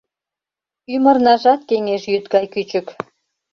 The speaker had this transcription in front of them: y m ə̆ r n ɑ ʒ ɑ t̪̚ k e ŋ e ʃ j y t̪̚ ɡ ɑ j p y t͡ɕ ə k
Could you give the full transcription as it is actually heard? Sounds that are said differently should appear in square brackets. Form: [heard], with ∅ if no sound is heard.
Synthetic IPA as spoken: y m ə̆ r n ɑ ʒ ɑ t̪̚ k e ŋ e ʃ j y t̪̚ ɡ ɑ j [k] y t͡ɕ ə k